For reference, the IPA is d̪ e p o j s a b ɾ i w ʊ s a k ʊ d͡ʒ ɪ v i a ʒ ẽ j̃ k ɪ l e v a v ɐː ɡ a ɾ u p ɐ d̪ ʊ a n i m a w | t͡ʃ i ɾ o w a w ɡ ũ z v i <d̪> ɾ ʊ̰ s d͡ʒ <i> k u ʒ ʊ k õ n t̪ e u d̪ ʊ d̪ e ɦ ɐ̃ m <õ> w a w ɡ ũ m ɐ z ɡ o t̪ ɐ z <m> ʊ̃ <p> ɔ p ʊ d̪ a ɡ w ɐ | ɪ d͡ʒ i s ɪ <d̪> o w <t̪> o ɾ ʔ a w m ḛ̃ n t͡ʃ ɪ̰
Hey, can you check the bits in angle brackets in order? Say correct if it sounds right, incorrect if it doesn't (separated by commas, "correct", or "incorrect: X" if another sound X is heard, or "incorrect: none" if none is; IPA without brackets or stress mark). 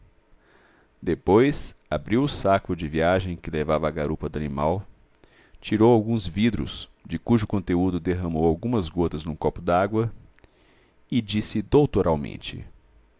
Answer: correct, incorrect: ɪ, incorrect: o, incorrect: n, incorrect: k, correct, correct